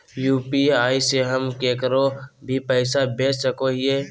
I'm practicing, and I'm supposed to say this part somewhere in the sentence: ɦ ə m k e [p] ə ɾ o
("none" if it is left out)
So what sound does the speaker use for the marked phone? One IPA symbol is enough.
k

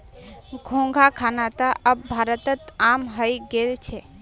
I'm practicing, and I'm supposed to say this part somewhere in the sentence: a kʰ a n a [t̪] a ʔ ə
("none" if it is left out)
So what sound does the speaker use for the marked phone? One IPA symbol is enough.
t̪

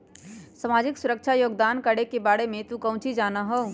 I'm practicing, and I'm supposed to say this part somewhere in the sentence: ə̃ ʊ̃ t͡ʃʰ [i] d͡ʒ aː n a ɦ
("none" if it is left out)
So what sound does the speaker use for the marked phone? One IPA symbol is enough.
i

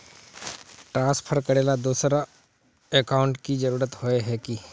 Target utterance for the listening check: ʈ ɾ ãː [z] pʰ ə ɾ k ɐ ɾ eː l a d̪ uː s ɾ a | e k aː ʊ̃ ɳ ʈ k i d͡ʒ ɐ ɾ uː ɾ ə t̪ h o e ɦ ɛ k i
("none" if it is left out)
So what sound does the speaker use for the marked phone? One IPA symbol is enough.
s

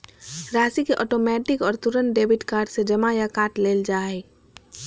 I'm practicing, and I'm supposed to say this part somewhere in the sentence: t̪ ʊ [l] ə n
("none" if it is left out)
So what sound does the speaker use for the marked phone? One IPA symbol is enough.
ɾ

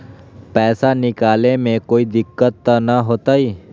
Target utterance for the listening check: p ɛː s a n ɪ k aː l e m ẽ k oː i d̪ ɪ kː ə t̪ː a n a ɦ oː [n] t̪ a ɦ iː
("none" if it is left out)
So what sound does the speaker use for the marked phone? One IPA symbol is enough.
none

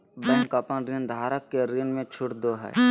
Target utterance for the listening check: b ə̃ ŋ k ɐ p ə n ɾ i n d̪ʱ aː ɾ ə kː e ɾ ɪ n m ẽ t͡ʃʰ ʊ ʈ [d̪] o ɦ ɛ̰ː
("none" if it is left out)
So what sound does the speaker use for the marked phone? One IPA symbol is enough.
d̪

